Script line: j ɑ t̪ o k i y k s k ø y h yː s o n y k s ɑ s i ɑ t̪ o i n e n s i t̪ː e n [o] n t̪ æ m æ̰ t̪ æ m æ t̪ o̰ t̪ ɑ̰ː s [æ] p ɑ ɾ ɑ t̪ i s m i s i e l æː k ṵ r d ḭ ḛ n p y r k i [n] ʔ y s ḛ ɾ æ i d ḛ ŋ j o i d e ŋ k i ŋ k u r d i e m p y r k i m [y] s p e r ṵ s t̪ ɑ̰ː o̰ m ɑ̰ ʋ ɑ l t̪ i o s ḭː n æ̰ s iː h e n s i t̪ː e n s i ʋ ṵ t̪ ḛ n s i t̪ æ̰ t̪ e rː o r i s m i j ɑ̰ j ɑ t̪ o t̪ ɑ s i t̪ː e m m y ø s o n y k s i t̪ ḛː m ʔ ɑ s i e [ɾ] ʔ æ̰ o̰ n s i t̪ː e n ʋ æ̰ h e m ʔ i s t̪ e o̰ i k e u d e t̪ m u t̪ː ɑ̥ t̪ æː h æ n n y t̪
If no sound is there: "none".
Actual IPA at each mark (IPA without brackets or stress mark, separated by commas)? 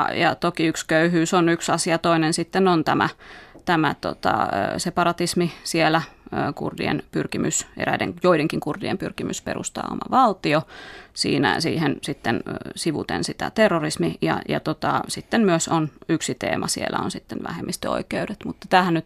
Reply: o, e, m, y, l